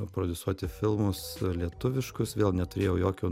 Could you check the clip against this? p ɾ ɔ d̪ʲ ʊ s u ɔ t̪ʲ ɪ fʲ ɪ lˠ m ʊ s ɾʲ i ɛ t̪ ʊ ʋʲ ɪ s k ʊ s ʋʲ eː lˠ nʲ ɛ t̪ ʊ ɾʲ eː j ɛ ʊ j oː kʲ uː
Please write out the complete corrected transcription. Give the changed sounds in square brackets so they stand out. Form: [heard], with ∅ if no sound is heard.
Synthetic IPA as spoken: p ɾ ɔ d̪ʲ ʊ s u ɔ t̪ʲ ɪ fʲ ɪ lˠ m ʊ s [lʲ] i ɛ t̪ ʊ ʋʲ ɪ [ʃ] k ʊ s ʋʲ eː lˠ nʲ ɛ t̪ ʊ ɾʲ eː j ɛ ʊ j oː kʲ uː